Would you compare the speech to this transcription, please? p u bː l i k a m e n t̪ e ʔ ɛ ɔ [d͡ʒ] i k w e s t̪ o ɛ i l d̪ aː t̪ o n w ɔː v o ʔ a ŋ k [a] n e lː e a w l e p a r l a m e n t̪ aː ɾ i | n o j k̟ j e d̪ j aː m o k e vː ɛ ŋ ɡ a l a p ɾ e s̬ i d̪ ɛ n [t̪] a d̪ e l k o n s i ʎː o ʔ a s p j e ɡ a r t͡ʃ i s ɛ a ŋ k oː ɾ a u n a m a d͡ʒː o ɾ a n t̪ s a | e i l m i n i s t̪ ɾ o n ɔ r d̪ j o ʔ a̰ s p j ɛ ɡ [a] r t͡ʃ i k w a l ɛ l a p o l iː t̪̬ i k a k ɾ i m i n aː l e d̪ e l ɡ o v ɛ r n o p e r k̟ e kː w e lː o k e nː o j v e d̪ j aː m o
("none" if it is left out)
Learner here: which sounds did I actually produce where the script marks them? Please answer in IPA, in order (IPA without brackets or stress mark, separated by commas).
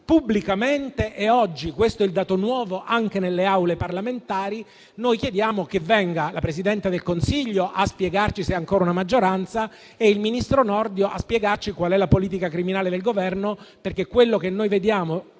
d͡ʒː, e, t̪, a